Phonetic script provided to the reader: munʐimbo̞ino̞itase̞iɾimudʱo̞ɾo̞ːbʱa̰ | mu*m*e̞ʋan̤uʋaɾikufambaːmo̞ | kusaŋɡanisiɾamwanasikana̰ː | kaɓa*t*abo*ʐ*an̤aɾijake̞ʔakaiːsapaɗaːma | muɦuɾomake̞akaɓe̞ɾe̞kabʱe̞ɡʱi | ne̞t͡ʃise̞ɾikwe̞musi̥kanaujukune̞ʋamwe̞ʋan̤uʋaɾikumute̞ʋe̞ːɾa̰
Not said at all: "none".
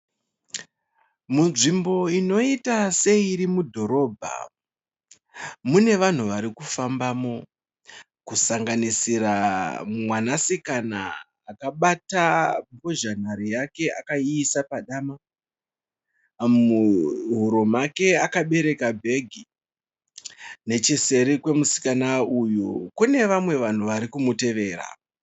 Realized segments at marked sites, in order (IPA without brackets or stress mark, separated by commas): n, t, ʒ